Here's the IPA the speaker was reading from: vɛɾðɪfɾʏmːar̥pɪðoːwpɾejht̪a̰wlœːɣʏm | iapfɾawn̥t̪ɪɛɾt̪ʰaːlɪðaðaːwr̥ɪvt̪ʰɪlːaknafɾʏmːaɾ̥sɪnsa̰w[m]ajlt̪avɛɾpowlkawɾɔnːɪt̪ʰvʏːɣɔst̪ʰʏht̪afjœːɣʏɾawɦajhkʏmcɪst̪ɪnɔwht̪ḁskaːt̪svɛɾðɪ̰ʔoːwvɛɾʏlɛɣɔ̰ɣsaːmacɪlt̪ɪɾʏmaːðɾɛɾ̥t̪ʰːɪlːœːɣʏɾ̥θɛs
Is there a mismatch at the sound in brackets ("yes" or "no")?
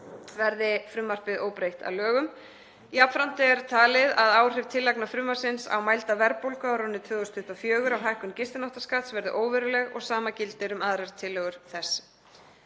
no